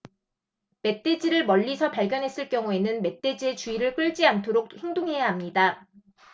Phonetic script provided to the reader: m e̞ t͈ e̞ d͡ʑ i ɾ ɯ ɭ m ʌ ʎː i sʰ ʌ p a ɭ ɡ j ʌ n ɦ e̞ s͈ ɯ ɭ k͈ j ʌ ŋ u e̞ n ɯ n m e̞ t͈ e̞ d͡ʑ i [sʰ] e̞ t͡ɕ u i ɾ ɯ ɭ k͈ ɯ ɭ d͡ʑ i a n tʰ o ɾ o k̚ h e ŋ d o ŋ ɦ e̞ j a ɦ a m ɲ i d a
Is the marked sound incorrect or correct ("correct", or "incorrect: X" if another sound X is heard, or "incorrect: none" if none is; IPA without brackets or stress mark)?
incorrect: none